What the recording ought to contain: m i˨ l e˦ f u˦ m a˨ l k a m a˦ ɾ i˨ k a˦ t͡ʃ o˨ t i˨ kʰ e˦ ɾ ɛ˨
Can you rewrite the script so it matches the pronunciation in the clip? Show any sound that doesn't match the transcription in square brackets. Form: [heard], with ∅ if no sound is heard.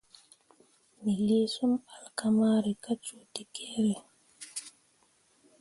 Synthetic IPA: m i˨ l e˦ [s] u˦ m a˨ l k a m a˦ ɾ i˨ k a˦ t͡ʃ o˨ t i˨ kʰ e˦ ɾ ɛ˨